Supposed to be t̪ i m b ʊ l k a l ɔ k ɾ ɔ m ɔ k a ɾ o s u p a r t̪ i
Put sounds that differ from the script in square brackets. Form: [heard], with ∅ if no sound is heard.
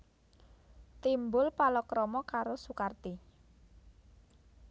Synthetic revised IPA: t̪ i m b ʊ l [p] a l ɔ k ɾ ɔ m ɔ k a ɾ o s u [k] a r t̪ i